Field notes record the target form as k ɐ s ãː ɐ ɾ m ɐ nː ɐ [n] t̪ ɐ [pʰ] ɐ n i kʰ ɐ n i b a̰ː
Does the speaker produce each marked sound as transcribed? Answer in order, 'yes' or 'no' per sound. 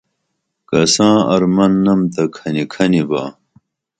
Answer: no, no

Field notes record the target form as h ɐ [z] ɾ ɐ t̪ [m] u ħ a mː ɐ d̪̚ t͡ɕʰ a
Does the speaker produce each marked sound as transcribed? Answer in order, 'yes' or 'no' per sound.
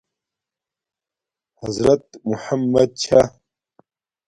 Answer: yes, yes

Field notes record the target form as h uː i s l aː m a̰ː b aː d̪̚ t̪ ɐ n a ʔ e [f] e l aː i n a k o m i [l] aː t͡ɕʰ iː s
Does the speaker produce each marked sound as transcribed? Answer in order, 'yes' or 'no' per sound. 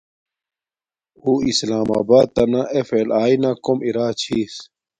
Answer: yes, no

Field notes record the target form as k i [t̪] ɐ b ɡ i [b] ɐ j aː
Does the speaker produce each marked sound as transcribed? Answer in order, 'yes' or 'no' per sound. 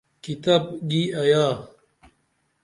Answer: yes, no

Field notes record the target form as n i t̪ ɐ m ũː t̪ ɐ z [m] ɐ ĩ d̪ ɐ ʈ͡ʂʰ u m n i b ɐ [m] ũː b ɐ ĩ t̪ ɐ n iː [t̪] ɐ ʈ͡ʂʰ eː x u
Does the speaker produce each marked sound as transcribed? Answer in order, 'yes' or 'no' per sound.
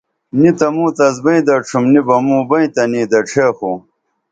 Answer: no, yes, no

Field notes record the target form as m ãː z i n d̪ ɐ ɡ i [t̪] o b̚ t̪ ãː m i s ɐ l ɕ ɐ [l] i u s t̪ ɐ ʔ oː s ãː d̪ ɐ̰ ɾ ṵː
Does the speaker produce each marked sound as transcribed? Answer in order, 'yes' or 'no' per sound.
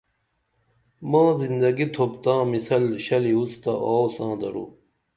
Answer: no, yes

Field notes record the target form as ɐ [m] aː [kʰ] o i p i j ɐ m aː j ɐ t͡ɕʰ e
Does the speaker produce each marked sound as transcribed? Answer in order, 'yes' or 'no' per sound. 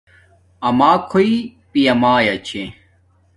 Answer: yes, yes

